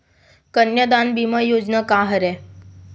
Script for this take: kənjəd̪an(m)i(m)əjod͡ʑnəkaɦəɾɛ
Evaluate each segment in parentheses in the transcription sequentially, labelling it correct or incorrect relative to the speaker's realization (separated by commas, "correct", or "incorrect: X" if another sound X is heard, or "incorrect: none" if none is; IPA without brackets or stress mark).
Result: incorrect: b, correct